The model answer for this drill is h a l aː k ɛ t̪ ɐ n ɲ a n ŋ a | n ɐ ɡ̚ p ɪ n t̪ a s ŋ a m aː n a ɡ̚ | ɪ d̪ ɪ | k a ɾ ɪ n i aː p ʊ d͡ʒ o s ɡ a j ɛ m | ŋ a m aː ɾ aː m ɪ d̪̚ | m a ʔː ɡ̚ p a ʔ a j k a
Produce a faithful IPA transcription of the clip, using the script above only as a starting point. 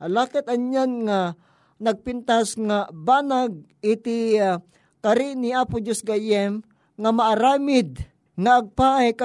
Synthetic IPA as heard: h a l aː k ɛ t̪ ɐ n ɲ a n ŋ a | n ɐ ɡ̚ p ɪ n t̪ a s ŋ a b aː n a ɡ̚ | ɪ t̪ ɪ | k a ɾ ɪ n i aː p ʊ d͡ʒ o s ɡ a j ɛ m | ŋ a m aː ɾ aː m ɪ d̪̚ | ŋ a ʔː ɡ̚ p a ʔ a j k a